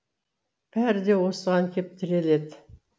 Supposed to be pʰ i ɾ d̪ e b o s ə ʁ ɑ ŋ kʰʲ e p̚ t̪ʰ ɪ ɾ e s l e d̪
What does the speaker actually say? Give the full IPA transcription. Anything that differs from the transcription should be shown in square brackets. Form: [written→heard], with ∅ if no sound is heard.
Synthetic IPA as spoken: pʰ [i→æ] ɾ d̪ e [b→w] o s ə ʁ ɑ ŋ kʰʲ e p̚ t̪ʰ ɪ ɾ e [s→∅] l e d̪